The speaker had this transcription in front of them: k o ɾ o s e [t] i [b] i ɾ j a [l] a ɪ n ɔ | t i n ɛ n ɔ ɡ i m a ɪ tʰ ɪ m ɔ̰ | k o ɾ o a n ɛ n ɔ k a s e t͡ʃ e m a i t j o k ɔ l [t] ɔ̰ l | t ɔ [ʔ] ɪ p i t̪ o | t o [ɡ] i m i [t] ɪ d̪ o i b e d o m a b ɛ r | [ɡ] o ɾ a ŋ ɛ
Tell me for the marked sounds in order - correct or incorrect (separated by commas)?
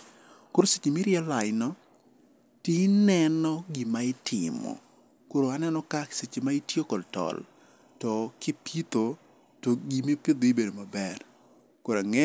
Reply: incorrect, incorrect, correct, correct, incorrect, correct, incorrect, incorrect